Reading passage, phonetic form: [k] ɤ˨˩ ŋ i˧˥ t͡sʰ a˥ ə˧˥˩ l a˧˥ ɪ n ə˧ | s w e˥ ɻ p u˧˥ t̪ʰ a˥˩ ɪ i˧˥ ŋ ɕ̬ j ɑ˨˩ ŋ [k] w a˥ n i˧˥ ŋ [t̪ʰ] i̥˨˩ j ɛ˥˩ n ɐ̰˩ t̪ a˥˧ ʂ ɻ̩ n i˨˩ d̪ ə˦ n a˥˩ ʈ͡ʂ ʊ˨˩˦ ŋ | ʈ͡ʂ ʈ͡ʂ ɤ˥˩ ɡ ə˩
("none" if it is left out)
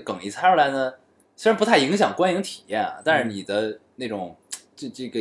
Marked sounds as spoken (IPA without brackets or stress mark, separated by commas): k, k, t̪ʰ